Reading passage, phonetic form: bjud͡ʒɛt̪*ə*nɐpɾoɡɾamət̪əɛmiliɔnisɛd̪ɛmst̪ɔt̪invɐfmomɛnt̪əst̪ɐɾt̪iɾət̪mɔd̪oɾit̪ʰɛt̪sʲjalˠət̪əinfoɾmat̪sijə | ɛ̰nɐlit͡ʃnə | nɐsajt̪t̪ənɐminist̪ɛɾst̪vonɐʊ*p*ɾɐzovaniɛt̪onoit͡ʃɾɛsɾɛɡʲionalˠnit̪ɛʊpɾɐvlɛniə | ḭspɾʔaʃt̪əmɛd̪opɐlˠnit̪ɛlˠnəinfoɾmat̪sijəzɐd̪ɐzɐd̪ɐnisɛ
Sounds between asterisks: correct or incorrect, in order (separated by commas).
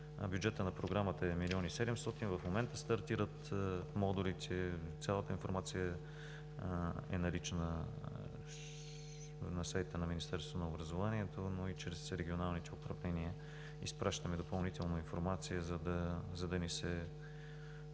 correct, incorrect